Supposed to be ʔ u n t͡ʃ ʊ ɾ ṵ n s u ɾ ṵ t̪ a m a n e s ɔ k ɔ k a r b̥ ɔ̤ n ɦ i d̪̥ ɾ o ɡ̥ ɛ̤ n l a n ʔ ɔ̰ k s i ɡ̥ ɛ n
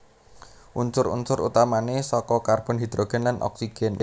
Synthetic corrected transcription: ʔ u n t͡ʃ ʊ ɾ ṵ n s ʊ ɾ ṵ t̪ a m a n e s ɔ k ɔ k a r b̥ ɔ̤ n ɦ i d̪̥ ɾ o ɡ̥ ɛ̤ n l a n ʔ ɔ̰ k s i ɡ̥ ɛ n